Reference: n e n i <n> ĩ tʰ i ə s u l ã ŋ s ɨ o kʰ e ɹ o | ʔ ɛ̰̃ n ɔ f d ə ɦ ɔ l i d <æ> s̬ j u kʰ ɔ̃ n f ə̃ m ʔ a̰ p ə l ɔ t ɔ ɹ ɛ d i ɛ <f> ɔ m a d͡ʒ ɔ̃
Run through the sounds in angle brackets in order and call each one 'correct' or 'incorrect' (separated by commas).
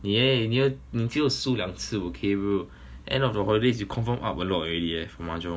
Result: correct, incorrect, correct